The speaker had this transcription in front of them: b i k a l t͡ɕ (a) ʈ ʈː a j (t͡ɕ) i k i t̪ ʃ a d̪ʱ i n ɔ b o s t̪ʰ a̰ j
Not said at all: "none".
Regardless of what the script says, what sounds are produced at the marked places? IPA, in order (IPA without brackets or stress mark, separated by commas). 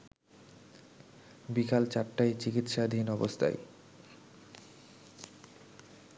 a, t͡ɕ